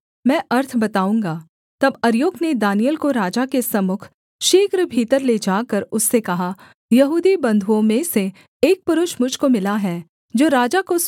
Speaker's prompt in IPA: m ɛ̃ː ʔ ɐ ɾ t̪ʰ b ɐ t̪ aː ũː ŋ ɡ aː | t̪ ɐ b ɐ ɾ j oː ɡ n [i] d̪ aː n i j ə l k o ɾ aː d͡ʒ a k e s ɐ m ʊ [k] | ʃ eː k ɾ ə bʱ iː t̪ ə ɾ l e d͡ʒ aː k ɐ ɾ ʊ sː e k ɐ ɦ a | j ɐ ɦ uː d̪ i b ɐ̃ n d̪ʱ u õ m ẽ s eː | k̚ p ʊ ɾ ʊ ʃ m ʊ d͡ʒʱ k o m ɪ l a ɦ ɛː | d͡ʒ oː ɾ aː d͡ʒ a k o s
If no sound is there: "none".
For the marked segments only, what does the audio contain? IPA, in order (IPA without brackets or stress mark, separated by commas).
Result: e, kʰ